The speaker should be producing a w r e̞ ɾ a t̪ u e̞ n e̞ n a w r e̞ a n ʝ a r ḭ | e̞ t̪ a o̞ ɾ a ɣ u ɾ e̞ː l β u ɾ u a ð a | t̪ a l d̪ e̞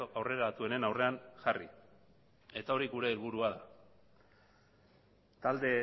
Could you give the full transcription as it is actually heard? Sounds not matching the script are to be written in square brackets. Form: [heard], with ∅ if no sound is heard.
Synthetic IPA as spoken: a w r e̞ ɾ a t̪ u e̞ n e̞ n a w r e̞ a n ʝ a r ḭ | e̞ t̪ a o̞ ɾ [i] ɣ u ɾ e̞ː l β u ɾ u a ð a | t̪ a l d̪ e̞